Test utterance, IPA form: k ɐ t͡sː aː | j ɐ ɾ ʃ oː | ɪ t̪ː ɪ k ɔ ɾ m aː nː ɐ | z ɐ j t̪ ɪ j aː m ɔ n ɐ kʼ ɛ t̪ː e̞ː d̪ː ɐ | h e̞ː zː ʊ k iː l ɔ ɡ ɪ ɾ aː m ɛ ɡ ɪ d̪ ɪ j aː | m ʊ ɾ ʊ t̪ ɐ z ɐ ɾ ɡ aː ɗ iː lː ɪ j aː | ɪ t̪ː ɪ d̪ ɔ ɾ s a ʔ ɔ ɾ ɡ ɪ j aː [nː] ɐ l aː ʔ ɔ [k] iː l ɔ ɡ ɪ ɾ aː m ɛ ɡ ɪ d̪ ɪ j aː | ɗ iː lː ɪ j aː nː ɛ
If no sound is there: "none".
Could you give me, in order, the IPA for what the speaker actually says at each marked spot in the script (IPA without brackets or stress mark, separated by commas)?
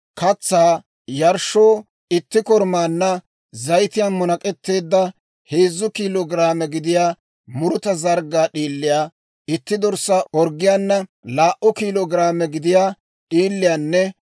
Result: nː, k